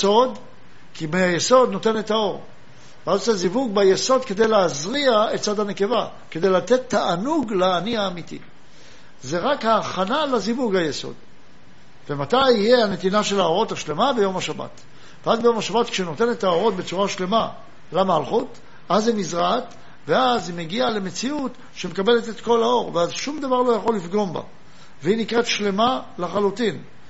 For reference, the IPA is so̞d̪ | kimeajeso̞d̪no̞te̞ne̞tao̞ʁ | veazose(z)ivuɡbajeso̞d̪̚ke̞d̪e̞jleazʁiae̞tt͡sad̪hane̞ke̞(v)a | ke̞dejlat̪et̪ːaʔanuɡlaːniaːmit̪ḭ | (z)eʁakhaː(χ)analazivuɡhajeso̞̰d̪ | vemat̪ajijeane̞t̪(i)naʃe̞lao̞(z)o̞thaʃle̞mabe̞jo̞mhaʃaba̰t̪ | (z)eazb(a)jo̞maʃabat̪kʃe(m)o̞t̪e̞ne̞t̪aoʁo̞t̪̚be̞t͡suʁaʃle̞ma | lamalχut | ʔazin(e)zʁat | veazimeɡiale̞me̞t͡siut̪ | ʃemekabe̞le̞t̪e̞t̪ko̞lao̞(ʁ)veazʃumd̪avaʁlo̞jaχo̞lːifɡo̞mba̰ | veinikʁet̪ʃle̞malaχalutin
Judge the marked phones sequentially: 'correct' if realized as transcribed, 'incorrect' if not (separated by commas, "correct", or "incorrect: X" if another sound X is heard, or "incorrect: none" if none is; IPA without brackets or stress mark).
correct, correct, correct, correct, correct, incorrect: ʁ, incorrect: v, incorrect: e, incorrect: n, incorrect: i, correct